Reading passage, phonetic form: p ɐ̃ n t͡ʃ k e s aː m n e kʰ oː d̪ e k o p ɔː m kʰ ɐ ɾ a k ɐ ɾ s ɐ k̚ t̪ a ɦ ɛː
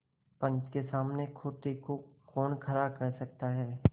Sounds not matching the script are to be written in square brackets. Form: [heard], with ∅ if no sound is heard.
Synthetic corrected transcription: p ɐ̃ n t͡ʃ k e s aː m n e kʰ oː [t̪] e k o [k] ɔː [n] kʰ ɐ ɾ a k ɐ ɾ s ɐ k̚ t̪ a ɦ ɛː